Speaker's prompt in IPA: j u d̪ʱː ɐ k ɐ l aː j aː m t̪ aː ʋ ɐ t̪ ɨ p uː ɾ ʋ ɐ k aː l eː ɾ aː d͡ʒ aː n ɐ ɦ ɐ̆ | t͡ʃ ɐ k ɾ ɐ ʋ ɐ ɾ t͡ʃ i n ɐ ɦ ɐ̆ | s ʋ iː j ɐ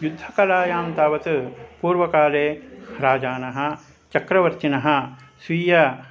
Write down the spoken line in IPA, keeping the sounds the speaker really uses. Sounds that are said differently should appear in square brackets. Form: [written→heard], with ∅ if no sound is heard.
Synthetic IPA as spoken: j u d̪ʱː ɐ k ɐ l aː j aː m t̪ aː ʋ ɐ t̪ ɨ p uː ɾ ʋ ɐ k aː l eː ɾ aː d͡ʒ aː n ɐ ɦ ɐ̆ | t͡ʃ ɐ k ɾ ɐ ʋ ɐ ɾ t͡ʃ i n ɐ ɦ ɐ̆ | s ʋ iː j ɐ